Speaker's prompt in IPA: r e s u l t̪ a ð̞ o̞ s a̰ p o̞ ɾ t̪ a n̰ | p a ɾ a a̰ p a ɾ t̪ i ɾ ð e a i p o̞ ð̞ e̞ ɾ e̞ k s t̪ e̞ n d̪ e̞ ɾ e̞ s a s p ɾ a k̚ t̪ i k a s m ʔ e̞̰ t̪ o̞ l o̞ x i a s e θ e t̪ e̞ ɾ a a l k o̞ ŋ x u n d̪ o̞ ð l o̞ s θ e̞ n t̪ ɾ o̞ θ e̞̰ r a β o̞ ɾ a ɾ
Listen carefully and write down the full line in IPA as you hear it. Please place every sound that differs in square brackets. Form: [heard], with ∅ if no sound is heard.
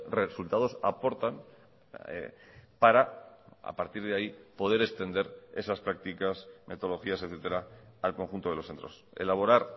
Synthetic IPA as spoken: r e s u l t̪ a ð̞ o̞ s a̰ p o̞ ɾ t̪ a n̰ | p a ɾ a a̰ p a ɾ t̪ i ɾ ð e a i p o̞ ð̞ e̞ ɾ e̞ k s t̪ e̞ n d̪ e̞ ɾ e̞ s a s p ɾ a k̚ t̪ i k a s m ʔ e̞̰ t̪ o̞ l o̞ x i a s e θ e t̪ e̞ ɾ a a l k o̞ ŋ x u n [t̪] o̞ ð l o̞ s θ e̞ n t̪ ɾ o̞ [s] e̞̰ [l] a β o̞ ɾ a ɾ